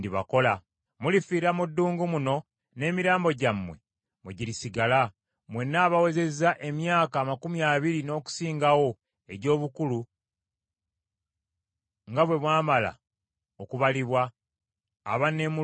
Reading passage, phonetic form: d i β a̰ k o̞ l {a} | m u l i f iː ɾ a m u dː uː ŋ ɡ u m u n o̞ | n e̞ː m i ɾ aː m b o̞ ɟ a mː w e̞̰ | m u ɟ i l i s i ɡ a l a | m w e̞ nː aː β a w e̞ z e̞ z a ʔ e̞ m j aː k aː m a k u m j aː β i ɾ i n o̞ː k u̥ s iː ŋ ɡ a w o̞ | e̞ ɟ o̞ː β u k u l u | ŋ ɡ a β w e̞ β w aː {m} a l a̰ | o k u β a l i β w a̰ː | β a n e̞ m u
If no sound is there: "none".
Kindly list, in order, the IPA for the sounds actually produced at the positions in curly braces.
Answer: a, m

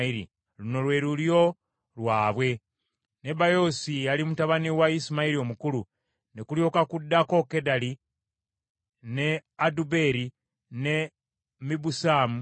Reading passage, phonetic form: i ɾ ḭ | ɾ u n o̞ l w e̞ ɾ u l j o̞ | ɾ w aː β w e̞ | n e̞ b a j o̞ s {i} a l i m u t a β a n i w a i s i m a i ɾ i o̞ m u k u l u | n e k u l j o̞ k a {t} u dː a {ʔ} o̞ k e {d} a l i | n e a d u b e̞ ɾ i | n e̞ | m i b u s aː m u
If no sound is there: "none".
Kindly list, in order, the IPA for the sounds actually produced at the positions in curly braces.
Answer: i, k, k, d

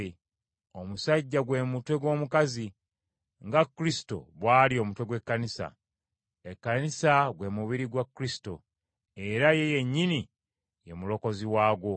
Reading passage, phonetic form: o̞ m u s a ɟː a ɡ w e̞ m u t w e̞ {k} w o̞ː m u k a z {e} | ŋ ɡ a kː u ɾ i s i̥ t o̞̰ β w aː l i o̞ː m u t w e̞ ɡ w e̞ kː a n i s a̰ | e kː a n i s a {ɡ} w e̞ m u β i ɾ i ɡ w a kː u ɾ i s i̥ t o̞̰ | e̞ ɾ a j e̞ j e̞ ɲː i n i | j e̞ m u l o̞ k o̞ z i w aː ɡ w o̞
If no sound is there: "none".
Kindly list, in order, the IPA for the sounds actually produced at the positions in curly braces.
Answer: ɡ, i, ɡ

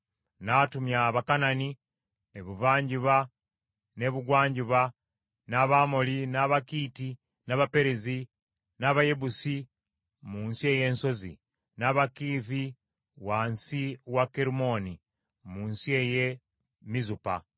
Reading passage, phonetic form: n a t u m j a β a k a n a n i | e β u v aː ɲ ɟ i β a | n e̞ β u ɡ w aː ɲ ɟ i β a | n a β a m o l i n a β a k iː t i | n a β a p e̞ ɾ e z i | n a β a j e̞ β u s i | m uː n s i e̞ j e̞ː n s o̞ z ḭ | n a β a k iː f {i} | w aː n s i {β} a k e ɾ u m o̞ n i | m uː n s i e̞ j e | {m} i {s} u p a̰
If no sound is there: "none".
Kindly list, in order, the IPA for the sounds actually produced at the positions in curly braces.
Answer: i, w, m, z

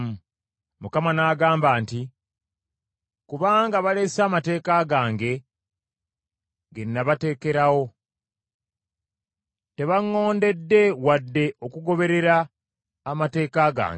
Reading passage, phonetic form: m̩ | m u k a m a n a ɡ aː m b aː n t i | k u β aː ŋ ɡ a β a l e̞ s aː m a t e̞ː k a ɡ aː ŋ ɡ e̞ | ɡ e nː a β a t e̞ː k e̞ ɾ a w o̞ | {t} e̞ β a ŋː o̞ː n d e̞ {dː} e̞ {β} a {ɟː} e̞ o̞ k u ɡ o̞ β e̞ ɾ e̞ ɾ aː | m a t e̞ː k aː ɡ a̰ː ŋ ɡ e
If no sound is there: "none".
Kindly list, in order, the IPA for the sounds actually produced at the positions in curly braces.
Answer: t, dː, w, dː

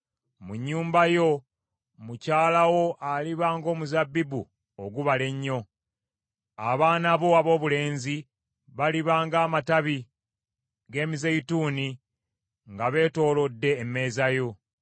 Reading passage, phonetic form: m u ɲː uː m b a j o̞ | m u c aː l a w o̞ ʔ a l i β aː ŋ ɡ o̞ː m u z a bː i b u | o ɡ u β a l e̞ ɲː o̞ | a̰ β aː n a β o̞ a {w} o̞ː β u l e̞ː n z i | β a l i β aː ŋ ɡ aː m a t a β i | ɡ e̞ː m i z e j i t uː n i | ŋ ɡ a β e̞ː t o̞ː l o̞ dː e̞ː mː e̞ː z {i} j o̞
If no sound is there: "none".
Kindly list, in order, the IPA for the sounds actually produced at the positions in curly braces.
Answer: β, a

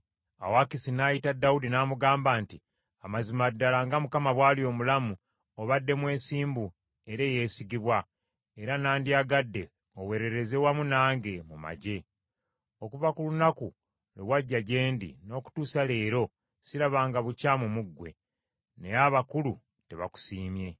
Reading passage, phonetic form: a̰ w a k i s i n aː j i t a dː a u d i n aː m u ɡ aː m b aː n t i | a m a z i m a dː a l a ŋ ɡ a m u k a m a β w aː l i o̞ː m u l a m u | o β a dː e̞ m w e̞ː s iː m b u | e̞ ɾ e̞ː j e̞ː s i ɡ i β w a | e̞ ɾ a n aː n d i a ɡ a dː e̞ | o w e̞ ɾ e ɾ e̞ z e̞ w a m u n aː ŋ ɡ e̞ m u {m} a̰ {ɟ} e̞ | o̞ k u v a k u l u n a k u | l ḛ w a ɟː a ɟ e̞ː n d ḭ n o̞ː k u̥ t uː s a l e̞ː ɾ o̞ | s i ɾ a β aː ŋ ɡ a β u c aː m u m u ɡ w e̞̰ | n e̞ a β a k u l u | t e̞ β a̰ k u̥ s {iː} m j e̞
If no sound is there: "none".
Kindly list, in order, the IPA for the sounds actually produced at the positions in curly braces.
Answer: m, ɟ, iː

